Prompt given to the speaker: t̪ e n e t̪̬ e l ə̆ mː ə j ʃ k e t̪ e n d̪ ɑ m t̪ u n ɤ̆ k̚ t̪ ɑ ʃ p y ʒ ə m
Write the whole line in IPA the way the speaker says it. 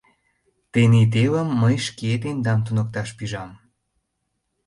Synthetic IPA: t̪ e n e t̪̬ e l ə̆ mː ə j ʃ k e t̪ e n d̪ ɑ m t̪ u n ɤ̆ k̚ t̪ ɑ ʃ p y ʒ ɑ m